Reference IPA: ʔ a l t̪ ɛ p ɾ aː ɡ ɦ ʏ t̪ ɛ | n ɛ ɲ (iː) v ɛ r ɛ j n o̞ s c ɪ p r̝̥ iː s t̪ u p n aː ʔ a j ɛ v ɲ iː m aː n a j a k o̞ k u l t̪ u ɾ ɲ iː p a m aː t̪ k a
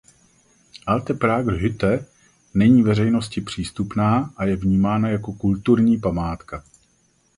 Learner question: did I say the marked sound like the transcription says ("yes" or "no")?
yes